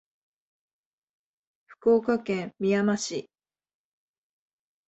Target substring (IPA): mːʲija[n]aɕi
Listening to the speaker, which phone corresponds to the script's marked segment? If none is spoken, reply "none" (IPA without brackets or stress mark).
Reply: m